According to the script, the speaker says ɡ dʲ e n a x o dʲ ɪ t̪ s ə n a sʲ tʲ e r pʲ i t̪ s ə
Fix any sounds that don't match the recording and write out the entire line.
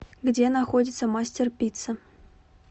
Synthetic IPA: ɡ dʲ e n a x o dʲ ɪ t̪ s ə m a sʲ tʲ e r pʲ i t̪ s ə